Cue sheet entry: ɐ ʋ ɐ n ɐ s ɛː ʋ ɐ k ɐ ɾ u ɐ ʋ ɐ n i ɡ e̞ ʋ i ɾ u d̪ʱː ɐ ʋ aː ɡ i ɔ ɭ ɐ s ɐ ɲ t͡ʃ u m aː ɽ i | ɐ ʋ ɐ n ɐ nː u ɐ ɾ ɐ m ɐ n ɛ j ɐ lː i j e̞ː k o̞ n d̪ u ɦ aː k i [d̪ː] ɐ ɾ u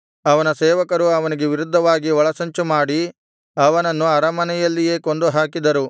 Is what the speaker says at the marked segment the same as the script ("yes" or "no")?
no